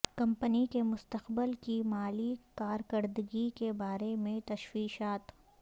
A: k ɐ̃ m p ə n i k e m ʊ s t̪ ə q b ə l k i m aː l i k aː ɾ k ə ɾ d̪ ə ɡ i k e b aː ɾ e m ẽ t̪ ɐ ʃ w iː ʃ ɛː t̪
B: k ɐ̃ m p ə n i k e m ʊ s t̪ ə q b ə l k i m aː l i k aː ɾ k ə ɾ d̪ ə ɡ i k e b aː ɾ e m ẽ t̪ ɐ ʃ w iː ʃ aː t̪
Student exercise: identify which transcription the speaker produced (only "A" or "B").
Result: B